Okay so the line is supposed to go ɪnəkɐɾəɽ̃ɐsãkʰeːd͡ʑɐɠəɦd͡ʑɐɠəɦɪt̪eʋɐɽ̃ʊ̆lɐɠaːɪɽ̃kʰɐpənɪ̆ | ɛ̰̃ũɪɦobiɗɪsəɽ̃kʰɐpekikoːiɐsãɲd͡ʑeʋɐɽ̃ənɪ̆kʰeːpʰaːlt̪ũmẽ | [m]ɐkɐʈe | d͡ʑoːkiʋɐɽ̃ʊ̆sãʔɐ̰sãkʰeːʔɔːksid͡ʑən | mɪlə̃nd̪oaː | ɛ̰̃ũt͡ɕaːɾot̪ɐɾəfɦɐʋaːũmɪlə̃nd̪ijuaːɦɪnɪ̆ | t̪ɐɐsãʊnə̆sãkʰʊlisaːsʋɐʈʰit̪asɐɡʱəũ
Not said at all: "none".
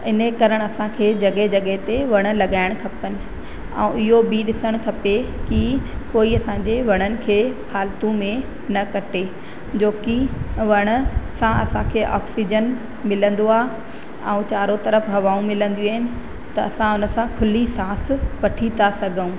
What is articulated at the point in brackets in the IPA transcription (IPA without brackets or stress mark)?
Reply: n